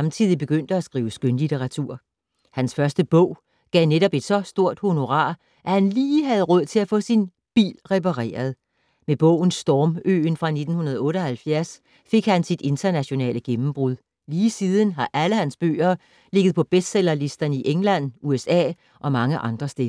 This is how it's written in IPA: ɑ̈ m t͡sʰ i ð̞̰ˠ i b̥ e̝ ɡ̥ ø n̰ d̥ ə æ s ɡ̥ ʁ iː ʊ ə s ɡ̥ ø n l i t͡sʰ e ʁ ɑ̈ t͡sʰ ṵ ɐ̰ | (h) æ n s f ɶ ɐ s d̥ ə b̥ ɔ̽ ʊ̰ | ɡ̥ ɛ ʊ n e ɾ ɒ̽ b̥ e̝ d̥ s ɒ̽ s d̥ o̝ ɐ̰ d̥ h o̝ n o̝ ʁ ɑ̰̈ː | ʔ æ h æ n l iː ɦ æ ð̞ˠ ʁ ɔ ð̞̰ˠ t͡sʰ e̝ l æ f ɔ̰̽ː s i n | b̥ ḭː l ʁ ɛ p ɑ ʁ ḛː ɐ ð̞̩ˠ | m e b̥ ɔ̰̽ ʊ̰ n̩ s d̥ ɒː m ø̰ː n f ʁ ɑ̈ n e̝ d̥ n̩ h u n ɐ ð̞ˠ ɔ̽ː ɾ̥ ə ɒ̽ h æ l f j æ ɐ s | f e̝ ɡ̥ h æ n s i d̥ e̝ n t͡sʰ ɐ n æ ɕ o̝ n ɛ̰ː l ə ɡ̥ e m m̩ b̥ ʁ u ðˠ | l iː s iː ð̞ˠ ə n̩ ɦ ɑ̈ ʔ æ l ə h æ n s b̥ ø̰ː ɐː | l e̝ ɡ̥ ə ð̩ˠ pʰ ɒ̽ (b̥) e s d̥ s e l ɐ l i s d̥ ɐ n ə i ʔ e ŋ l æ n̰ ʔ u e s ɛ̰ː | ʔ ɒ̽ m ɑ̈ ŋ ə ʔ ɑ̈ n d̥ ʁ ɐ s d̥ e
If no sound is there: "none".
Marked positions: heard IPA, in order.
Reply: h, b̥

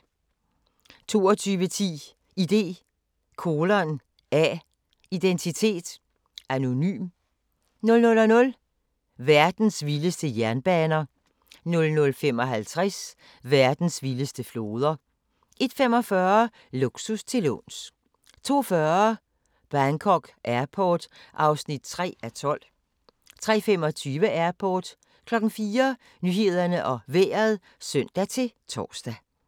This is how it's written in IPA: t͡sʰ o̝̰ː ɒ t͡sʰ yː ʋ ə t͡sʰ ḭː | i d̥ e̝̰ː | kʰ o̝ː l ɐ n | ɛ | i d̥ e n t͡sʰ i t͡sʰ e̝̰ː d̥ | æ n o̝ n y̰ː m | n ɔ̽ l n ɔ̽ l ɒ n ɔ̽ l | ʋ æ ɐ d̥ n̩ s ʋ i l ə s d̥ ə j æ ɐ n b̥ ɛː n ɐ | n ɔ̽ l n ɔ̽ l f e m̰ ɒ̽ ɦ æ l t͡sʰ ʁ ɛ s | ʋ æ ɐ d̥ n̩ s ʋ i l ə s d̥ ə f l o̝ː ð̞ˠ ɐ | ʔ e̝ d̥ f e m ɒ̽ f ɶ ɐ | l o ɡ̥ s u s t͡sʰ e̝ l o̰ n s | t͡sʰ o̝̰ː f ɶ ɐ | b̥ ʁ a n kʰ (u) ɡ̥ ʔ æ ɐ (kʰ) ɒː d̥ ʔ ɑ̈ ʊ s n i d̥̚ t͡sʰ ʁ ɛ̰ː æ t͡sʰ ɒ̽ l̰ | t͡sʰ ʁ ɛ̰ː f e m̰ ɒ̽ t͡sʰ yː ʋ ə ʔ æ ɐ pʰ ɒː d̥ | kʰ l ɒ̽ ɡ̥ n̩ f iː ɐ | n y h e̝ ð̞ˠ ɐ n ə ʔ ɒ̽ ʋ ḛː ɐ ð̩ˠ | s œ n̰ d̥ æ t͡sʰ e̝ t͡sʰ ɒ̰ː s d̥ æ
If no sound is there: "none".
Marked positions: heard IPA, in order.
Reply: ɒ, pʰ

